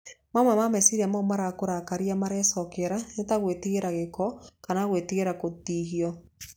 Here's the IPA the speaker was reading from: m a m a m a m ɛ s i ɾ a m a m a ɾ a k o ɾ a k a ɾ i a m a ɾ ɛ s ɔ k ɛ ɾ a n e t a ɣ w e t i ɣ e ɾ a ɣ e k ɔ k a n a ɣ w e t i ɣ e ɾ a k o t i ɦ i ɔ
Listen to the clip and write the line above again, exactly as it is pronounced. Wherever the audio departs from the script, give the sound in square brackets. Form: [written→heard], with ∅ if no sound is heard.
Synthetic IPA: m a m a m a m ɛ s i ɾ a m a m a ɾ a k o ɾ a k a ɾ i a m a ɾ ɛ s ɔ k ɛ ɾ a n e t a ɣ w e t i ɣ e ɾ a ɣ e k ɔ k a n a ɣ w e t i ɣ e ɾ a k o t i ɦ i ɔ